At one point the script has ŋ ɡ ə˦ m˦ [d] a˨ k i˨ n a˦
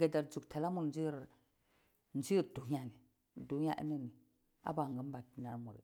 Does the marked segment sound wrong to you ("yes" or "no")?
yes